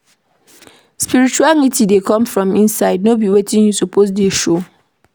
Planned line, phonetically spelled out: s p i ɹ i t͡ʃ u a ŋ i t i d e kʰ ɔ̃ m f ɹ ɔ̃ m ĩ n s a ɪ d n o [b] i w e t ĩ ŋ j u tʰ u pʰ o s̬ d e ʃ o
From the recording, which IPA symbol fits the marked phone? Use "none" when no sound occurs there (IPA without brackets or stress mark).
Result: b